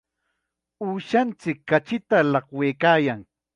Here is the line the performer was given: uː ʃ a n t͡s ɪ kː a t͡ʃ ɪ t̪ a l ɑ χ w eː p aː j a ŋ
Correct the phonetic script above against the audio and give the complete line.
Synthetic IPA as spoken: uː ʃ a n t͡s ɪ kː a t͡ʃ ɪ t̪ a l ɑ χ w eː k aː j a ŋ

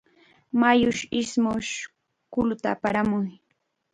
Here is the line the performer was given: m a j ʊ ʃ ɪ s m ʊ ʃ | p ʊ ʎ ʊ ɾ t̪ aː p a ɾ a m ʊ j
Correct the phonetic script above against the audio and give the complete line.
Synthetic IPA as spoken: m a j ʊ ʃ ɪ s m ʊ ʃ | k ʊ l ʊ t̪ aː p a ɾ a m ʊ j

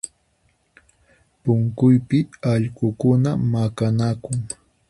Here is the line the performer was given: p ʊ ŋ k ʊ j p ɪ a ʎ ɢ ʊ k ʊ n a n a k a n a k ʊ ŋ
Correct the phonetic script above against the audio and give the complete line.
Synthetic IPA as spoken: p ʊ ŋ k ʊ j p ɪ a ʎ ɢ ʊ k ʊ n a m a k a n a k ʊ ŋ

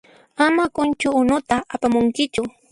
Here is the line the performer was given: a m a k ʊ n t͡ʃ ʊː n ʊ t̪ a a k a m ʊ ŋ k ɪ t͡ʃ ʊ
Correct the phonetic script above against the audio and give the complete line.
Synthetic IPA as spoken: a m a k ʊ n t͡ʃ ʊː n ʊ t̪ a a p a m ʊ ŋ k ɪ t͡ʃ ʊ

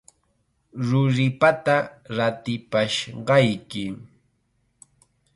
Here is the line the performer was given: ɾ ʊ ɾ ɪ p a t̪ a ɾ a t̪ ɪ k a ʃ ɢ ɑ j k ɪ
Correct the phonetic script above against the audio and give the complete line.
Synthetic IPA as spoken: ɾ ʊ ɾ ɪ p a t̪ a ɾ a t̪ ɪ p a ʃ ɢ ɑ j k ɪ

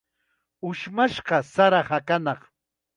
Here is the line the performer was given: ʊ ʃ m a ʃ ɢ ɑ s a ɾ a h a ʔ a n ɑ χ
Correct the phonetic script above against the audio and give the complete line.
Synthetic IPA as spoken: ʊ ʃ m a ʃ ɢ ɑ s a ɾ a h a k a n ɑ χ

